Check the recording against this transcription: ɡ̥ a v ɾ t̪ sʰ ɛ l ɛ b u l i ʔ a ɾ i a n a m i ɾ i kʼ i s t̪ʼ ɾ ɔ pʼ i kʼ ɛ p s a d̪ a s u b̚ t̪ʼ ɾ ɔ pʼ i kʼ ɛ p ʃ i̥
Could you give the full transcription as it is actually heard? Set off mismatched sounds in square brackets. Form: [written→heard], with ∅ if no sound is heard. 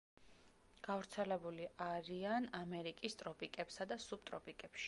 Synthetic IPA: ɡ̥ a v ɾ t̪ sʰ ɛ l ɛ b u l i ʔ a ɾ i a n a m [i→ɛ] ɾ i kʼ i s t̪ʼ ɾ ɔ pʼ i kʼ ɛ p s a d̪ a s u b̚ t̪ʼ ɾ ɔ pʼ i kʼ ɛ p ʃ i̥